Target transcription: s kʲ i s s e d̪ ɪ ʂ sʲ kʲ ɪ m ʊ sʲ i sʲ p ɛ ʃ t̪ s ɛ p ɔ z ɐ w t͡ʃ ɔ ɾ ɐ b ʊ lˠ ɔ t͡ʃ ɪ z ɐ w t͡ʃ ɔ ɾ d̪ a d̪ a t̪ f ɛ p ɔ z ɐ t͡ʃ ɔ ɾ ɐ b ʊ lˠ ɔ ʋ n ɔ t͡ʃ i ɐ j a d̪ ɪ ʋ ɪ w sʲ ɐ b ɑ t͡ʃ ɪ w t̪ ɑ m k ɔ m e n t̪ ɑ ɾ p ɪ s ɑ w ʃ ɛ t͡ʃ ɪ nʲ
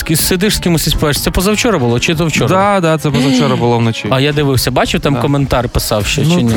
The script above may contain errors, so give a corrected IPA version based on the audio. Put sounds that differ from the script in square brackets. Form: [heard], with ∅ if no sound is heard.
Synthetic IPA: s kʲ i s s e d̪ ɪ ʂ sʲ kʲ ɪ m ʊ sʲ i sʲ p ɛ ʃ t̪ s ɛ p ɔ z ɐ w t͡ʃ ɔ ɾ ɐ b ʊ lˠ ɔ t͡ʃ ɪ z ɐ w t͡ʃ ɔ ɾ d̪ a d̪ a t̪ [s] ɛ p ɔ z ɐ t͡ʃ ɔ ɾ ɐ b ʊ lˠ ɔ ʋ n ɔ t͡ʃ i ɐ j a d̪ ɪ ʋ ɪ w sʲ ɐ b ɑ t͡ʃ ɪ w t̪ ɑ m k ɔ m e n t̪ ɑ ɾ p ɪ s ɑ w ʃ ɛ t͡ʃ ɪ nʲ